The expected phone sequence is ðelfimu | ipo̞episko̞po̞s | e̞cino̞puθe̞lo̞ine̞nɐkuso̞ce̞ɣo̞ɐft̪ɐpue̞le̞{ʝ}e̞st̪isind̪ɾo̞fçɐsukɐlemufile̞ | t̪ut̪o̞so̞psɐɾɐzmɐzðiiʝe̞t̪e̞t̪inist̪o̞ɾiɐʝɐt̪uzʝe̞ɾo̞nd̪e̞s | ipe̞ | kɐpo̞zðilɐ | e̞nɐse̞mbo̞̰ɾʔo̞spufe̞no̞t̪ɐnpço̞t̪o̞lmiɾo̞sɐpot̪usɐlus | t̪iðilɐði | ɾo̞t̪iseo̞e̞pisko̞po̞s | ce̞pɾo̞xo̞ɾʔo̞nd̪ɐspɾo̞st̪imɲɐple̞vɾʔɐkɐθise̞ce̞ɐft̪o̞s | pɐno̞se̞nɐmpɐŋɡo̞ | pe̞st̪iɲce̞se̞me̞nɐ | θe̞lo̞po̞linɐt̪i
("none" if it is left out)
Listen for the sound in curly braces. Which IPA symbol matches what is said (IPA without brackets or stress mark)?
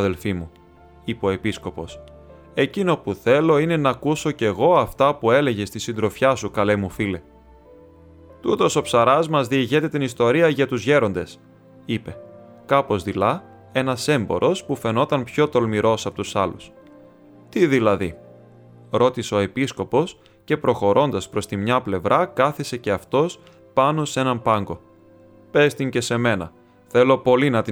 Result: ʝ